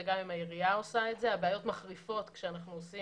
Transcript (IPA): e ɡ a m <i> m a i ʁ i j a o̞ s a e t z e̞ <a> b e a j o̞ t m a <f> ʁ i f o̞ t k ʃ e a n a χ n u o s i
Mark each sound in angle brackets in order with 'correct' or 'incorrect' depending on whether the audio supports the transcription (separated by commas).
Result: correct, correct, incorrect